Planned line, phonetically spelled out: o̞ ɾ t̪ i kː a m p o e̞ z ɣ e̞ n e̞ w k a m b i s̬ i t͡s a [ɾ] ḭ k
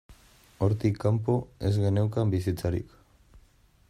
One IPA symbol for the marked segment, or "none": ɾ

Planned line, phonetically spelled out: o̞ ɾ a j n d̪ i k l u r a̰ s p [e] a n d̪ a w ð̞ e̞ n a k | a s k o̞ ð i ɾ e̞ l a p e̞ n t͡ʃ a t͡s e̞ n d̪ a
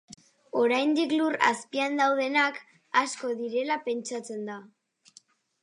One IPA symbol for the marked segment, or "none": i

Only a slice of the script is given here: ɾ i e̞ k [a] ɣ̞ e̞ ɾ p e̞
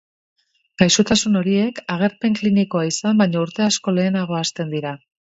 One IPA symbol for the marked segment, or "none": a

